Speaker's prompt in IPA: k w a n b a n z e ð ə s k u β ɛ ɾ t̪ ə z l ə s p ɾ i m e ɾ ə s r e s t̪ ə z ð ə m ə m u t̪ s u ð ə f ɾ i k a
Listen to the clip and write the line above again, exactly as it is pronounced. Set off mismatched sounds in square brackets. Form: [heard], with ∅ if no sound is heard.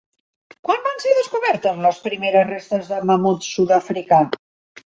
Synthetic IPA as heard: k w a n b a n [s] e ð ə s k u β ɛ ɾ t̪ ə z l ə s p ɾ i m e ɾ ə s r e s t̪ ə z ð ə m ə m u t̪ s u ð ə f ɾ i k a